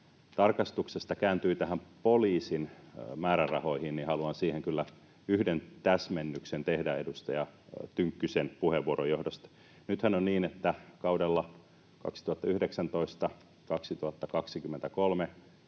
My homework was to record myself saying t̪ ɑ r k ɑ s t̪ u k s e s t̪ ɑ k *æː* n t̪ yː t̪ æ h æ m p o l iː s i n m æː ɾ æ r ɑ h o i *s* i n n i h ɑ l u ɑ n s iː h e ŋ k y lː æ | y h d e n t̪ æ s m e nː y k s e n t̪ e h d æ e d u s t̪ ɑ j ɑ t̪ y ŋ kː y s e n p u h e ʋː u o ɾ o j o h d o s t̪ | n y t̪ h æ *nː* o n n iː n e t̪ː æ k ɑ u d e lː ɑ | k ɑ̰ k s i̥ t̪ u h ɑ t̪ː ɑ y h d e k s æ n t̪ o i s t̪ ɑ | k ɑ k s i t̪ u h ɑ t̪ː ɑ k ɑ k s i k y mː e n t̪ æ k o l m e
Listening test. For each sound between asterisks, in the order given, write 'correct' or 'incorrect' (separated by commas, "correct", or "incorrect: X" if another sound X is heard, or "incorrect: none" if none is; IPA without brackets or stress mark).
correct, incorrect: h, incorrect: n